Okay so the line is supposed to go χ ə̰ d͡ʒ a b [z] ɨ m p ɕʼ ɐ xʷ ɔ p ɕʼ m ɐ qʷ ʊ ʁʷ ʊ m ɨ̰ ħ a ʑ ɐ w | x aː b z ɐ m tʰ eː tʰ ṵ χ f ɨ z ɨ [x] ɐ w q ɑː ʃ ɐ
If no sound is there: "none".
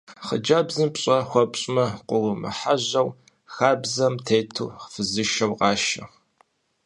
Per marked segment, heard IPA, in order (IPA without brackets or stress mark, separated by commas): z, ʃ